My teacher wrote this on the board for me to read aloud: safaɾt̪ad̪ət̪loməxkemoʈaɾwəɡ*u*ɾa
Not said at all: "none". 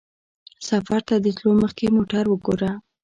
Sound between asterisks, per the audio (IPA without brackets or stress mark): o